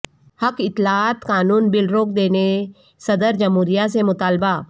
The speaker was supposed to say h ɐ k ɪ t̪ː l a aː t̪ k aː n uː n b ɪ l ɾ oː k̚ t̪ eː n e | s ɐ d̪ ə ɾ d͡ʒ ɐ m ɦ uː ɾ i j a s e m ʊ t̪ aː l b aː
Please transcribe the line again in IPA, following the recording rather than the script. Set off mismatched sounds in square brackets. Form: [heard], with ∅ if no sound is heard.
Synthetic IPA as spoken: h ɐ k ɪ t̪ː l a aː t̪ k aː n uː n b ɪ l ɾ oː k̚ [d̪] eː n e | s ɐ d̪ ə ɾ d͡ʒ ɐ m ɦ uː ɾ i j a s e m ʊ t̪ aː l b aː